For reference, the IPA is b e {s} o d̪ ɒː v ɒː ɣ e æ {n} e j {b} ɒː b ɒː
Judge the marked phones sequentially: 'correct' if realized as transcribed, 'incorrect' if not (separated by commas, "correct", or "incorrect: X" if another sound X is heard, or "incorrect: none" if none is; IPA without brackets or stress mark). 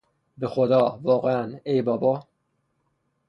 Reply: incorrect: x, correct, correct